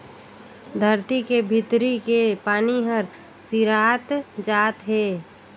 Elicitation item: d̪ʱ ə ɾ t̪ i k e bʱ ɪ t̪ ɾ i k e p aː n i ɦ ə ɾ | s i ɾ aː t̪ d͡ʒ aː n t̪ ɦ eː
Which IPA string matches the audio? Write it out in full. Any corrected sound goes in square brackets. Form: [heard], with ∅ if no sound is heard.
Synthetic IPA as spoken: d̪ʱ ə ɾ t̪ i k e bʱ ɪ t̪ ɾ i k e p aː n i ɦ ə ɾ | s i ɾ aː t̪ d͡ʒ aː [∅] t̪ ɦ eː

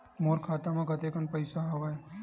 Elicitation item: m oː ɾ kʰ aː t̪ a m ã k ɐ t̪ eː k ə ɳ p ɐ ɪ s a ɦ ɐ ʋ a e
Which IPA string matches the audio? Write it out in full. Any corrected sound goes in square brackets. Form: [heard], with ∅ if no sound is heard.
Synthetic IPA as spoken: m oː ɾ kʰ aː t̪ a m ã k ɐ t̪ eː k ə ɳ p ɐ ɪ s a ɦ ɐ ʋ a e

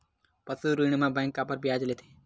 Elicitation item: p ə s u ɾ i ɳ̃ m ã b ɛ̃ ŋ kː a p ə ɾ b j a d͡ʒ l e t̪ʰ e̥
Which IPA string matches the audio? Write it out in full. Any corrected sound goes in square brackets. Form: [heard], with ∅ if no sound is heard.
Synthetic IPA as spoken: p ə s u ɾ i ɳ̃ m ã b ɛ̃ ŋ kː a p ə ɾ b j a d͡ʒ l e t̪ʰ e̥

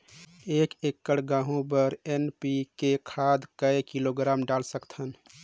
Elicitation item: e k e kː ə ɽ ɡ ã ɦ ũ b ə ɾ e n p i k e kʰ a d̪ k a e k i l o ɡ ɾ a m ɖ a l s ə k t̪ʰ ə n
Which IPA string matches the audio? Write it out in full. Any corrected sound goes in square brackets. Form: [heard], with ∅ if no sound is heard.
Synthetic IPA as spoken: e k e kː ə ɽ ɡ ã ɦ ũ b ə ɾ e n p i k e kʰ a d̪ k [ə] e k i l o ɡ ɾ a m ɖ a l s ə k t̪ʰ ə n

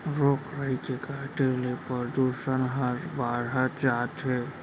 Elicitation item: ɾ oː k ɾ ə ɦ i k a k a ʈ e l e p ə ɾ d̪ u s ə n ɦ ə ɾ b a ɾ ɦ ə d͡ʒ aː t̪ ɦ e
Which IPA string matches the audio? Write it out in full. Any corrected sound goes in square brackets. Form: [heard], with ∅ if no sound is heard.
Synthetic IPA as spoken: ɾ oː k ɾ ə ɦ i k [e] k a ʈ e l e p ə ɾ d̪ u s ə n ɦ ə ɾ b a ɾ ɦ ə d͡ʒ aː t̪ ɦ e

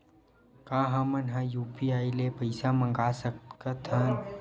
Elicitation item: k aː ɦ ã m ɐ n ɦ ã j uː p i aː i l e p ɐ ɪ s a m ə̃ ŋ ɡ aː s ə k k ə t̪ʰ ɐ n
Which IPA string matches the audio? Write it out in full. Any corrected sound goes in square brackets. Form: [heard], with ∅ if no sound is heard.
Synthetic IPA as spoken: k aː ɦ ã m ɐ n ɦ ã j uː p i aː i l e p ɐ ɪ s a m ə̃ ŋ ɡ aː s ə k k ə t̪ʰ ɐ n

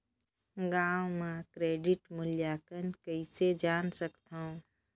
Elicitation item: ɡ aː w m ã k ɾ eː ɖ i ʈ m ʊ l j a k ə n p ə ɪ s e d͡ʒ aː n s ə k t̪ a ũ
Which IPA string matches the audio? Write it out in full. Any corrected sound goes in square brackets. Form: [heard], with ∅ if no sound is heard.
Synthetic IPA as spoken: ɡ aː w m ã k ɾ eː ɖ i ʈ m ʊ l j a k ə n [k] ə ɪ s e d͡ʒ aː n s ə k t̪ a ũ

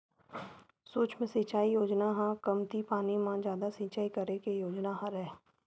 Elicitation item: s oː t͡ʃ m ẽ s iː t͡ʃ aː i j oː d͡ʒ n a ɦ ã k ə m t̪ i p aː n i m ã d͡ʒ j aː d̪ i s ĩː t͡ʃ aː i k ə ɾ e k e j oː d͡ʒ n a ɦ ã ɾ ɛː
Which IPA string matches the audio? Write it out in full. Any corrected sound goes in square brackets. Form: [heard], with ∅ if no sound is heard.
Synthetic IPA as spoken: s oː t͡ʃ m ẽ s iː t͡ʃ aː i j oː d͡ʒ n a ɦ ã k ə m t̪ i p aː n i m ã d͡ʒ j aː d̪ [a] s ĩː t͡ʃ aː i k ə ɾ e k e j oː d͡ʒ n a ɦ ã ɾ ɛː

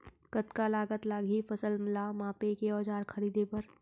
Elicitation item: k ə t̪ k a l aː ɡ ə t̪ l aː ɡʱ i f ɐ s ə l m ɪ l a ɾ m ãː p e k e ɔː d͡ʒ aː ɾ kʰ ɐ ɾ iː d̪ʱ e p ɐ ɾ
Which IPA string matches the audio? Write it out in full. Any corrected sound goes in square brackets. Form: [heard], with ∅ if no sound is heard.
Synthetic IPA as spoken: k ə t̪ k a l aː ɡ ə t̪ l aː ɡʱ i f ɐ s ə l m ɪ l a [∅] m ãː p e k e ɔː d͡ʒ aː ɾ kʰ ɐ ɾ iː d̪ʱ e p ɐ ɾ

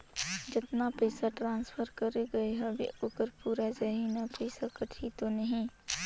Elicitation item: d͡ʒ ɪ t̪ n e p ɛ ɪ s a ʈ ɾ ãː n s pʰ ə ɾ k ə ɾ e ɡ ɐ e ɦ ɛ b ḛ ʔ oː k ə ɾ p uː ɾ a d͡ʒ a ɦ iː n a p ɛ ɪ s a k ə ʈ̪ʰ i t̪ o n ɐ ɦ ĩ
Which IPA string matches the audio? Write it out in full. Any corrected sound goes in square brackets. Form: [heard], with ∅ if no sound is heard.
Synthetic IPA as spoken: d͡ʒ ɪ t̪ n [a] p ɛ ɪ s a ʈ ɾ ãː n s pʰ ə ɾ k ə ɾ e ɡ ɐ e ɦ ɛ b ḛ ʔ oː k ə ɾ p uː ɾ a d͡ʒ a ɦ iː n a p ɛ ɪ s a k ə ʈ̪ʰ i t̪ o n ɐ ɦ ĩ

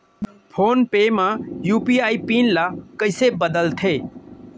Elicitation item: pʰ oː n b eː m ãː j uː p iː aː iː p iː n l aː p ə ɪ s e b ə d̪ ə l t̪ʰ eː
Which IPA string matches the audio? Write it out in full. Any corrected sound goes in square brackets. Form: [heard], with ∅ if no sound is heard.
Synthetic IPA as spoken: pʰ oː n [p] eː m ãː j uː p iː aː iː p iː n l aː [k] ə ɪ s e b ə d̪ ə l t̪ʰ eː

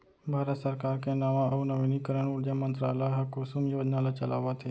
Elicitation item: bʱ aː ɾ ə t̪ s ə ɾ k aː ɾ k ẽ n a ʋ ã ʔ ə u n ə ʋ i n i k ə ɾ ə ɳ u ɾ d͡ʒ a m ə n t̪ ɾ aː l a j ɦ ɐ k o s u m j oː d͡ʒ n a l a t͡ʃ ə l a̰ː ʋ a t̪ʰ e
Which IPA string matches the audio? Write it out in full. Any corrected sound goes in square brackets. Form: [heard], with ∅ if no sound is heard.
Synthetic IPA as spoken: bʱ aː ɾ ə t̪ s ə ɾ k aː ɾ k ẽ n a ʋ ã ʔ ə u n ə ʋ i n i k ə ɾ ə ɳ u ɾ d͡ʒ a m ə n t̪ ɾ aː l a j ɦ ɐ k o s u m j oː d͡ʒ n a l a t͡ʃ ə l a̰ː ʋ a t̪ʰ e

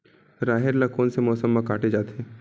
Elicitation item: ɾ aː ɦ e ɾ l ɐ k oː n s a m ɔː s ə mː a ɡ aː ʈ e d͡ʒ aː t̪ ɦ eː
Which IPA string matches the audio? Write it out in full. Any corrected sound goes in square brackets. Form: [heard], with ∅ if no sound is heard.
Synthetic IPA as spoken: ɾ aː ɦ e ɾ l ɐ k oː n s [e] m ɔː s ə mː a [k] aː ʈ e d͡ʒ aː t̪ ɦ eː

